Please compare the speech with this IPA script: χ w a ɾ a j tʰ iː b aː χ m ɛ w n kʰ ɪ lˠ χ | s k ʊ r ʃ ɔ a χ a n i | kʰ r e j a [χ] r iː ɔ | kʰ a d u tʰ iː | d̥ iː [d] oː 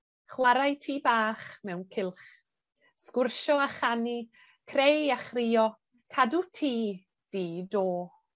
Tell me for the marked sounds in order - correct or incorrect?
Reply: correct, correct

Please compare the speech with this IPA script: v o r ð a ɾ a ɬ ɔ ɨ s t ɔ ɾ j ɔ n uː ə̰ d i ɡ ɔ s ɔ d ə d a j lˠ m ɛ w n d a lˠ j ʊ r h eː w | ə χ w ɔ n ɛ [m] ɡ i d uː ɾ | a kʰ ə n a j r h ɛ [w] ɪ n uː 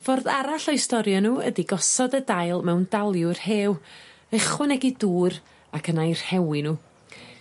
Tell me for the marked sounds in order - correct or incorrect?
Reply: incorrect, correct

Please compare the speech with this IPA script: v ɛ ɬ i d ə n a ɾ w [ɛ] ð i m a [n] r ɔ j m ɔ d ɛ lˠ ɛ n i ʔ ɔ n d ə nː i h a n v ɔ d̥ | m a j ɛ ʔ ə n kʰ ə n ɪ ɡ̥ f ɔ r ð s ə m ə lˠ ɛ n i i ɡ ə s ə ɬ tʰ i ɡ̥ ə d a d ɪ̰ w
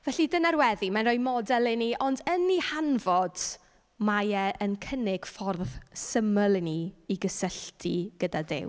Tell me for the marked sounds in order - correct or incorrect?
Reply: correct, correct

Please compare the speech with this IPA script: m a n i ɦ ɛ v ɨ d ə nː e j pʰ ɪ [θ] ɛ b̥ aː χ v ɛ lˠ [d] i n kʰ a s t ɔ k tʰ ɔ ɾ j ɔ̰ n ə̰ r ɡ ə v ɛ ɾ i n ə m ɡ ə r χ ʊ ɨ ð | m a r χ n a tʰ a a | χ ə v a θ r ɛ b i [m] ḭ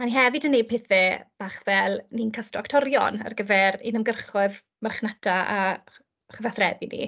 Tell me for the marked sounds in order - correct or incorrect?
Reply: correct, incorrect, incorrect

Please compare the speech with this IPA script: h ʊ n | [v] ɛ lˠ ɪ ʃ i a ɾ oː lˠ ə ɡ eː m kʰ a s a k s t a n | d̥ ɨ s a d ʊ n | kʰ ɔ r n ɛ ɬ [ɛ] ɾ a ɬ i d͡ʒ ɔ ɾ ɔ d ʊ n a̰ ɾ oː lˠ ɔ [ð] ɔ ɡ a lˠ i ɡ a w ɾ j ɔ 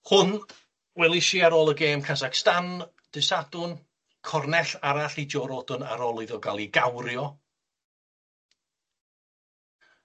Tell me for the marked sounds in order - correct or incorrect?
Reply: incorrect, incorrect, correct

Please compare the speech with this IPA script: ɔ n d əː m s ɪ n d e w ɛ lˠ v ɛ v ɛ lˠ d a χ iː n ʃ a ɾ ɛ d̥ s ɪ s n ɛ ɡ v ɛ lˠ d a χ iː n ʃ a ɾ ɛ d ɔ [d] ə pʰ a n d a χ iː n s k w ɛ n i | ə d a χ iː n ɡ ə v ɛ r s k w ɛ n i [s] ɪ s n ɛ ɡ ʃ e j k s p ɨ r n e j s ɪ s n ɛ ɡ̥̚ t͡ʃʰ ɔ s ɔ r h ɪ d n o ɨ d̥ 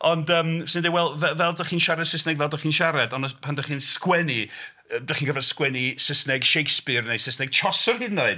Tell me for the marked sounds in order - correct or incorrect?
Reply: incorrect, correct

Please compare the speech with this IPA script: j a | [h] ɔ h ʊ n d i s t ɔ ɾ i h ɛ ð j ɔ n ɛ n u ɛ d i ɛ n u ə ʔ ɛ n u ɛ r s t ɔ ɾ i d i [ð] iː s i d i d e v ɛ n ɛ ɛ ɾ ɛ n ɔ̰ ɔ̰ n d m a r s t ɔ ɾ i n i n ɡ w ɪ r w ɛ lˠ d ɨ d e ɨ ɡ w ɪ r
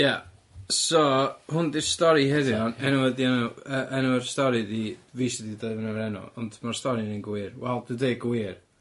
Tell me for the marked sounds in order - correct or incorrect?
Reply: incorrect, incorrect

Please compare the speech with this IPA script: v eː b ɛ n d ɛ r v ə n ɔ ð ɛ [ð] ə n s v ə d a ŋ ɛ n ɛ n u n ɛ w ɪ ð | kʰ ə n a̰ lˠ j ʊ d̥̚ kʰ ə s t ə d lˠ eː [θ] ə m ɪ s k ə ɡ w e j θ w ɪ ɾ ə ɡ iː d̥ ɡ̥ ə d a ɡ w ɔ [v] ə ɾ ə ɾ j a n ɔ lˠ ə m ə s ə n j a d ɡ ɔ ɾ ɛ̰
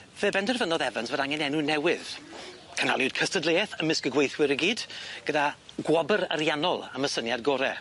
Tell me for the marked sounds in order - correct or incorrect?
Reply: incorrect, correct, incorrect

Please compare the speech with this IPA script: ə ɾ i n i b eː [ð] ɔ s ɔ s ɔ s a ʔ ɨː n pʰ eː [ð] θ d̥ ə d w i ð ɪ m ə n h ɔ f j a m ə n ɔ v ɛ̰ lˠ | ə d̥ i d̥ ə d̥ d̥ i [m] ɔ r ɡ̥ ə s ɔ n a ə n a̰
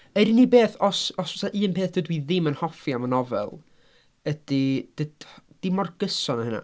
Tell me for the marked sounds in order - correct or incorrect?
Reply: incorrect, incorrect, correct

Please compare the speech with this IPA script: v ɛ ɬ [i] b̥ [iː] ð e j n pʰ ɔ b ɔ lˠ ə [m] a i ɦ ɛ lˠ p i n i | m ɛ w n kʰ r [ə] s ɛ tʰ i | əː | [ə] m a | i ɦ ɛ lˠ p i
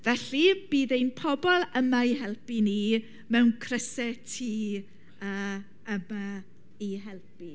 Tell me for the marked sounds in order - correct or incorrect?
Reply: correct, correct, correct, correct, correct

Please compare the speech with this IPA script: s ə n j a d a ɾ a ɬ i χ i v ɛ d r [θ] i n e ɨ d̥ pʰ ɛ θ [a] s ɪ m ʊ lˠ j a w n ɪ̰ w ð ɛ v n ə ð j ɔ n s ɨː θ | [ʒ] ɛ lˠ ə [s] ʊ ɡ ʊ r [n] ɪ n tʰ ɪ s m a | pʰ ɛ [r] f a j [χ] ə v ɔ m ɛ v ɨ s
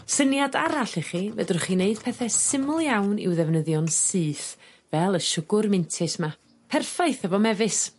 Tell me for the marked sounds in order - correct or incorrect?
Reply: incorrect, incorrect, incorrect, incorrect, incorrect, correct, incorrect

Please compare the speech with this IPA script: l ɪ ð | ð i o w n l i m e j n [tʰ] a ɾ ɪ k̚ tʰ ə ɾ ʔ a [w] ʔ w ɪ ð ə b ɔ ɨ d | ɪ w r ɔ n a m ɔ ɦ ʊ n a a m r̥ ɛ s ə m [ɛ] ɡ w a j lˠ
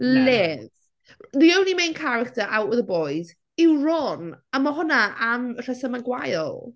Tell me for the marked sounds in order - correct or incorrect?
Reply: incorrect, correct, incorrect

